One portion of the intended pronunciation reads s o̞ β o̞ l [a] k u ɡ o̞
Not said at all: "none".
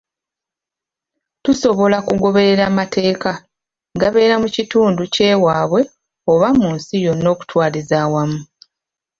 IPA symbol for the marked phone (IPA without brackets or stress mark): a